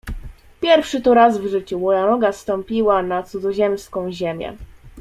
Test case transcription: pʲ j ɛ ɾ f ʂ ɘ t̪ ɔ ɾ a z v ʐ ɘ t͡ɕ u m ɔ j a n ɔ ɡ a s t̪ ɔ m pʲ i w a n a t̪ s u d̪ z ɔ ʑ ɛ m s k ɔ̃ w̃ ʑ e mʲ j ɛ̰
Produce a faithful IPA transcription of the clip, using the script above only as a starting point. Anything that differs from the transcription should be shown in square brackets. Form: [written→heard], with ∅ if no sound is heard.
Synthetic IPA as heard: pʲ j ɛ ɾ f ʂ ɘ t̪ ɔ ɾ a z v ʐ ɘ t͡ɕ u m ɔ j a n ɔ ɡ a s t̪ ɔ m pʲ i w a n a t̪ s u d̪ z ɔ ʑ ɛ m s k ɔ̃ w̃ ʑ e mʲ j ɛ̰